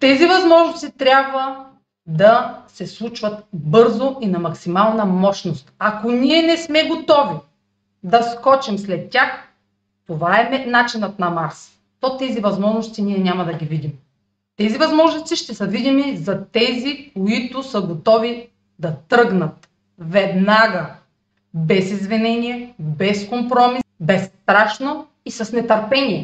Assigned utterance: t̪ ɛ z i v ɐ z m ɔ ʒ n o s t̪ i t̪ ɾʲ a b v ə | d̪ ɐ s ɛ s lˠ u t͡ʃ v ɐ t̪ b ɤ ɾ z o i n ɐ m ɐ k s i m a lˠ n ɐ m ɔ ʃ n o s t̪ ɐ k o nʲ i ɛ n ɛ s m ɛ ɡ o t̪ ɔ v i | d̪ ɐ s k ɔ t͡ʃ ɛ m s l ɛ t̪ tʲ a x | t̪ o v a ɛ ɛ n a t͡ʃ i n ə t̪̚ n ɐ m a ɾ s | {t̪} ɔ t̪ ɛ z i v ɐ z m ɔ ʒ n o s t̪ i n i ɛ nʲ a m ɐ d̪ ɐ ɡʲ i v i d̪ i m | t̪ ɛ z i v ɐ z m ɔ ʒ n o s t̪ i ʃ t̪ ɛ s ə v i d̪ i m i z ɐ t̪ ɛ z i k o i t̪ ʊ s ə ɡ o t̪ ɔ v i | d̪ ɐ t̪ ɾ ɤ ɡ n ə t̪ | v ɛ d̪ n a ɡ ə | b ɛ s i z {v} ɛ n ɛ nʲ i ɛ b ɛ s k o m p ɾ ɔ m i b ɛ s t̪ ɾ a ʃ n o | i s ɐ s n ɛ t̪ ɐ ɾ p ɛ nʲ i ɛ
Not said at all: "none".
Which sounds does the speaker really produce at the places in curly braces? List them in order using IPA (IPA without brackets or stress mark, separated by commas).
t̪, v